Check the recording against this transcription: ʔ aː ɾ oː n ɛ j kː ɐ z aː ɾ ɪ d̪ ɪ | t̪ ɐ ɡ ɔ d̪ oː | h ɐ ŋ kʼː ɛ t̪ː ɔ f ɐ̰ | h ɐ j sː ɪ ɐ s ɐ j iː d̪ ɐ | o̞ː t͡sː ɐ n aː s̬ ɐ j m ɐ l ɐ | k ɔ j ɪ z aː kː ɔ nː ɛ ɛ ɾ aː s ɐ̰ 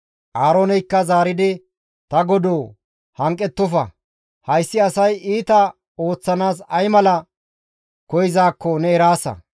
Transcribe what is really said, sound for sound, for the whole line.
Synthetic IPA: ʔ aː ɾ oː n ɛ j kː ɐ z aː ɾ ɪ d̪ ɪ | t̪ ɐ ɡ ɔ d̪ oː | h ɐ ŋ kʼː ɛ t̪ː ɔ f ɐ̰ | h ɐ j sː ɪ ɐ s ɐ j iː t̪ ɐ | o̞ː t͡sː ɐ n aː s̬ ɐ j m ɐ l ɐ | k ɔ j ɪ z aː kː ɔ n ɛ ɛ ɾ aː s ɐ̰